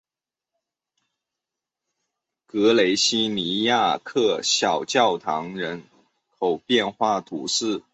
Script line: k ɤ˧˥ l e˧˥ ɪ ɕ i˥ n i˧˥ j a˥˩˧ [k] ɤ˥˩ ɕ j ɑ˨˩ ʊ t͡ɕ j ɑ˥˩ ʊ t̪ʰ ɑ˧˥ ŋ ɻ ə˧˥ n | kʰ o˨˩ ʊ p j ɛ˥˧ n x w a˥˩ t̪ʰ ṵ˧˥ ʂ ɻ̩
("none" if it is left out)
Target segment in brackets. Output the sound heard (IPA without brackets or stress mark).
kʰ